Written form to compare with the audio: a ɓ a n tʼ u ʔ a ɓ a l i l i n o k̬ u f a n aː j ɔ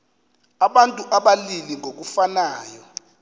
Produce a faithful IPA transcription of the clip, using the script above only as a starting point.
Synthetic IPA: a ɓ a n tʼ u ʔ a ɓ a l i l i ŋ o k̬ u f a n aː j ɔ